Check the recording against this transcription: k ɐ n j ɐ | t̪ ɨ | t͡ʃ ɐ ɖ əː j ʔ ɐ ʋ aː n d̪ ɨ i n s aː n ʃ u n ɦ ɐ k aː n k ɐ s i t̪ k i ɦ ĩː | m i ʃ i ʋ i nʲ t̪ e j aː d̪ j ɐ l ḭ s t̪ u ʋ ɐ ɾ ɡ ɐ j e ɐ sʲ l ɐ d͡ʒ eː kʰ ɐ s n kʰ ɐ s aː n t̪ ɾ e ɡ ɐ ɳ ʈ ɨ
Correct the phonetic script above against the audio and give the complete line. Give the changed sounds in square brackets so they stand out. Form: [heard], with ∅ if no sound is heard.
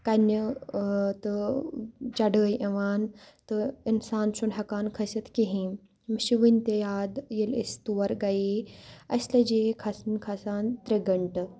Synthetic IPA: k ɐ n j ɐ | t̪ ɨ | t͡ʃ ɐ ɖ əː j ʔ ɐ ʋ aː n [t̪] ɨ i n s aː n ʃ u n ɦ ɐ k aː n [kʰ] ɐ s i t̪ k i ɦ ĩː | m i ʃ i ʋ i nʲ t̪ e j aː d̪ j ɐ l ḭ s t̪ u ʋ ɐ ɾ ɡ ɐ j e ɐ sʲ l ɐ d͡ʒ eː kʰ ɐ s n kʰ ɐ s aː n t̪ ɾ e ɡ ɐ ɳ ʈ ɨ